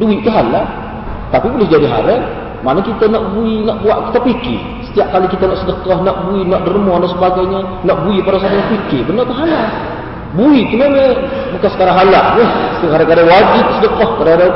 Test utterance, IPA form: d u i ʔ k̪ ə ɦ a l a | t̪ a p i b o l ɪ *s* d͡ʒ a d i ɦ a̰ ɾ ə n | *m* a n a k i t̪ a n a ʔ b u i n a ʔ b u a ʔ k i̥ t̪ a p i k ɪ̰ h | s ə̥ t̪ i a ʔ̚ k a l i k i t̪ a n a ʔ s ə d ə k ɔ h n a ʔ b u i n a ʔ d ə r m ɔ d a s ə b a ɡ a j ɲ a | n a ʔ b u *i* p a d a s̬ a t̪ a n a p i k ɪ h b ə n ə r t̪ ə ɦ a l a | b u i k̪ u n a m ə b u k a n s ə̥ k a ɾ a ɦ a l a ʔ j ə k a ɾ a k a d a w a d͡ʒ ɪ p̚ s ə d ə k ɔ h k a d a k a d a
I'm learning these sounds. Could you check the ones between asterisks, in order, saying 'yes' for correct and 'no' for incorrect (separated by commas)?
no, yes, yes